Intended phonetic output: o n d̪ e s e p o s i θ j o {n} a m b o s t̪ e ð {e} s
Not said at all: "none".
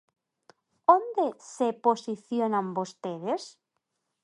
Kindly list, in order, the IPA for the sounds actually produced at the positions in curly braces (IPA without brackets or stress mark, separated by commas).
n, e